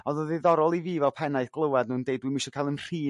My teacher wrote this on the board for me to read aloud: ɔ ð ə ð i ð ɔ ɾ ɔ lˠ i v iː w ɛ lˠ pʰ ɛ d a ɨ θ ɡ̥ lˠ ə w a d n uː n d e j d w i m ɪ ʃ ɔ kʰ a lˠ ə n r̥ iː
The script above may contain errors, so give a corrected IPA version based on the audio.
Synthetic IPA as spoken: ɔ ð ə ð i ð ɔ ɾ ɔ lˠ i v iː v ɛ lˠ pʰ ɛ n a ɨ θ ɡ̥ lˠ ə w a d n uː n d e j d w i m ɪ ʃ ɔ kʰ a lˠ ə n r̥ iː